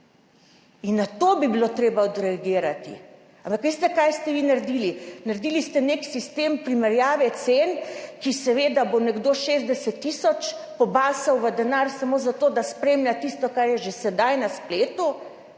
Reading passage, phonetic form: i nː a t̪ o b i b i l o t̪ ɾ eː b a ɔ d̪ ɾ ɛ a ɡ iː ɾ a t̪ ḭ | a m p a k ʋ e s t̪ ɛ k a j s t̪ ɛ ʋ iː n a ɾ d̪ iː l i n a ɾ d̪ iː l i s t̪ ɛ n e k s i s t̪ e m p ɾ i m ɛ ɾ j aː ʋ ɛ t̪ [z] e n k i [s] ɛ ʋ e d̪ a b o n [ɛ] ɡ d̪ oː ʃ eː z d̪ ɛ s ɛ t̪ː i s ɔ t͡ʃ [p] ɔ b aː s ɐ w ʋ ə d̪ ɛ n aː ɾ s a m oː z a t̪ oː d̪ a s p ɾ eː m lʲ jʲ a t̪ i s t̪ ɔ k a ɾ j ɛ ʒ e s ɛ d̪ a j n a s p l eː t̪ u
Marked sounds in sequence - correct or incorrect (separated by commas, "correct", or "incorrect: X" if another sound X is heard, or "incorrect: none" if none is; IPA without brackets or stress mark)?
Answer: incorrect: s, correct, correct, correct